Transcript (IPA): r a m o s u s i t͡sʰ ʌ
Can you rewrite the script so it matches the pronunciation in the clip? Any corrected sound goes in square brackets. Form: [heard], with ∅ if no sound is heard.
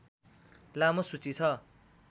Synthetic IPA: [l] a m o s u [t͡s] i t͡sʰ ʌ